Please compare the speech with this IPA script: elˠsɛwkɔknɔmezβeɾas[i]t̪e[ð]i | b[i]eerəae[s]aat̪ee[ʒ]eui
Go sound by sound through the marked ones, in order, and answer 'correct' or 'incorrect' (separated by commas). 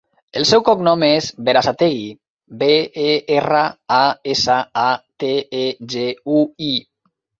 incorrect, incorrect, incorrect, correct, correct